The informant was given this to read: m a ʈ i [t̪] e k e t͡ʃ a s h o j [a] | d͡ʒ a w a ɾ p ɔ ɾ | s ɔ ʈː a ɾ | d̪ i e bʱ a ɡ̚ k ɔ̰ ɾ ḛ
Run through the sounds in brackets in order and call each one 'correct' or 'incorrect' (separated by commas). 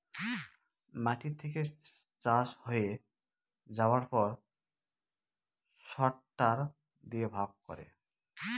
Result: incorrect, incorrect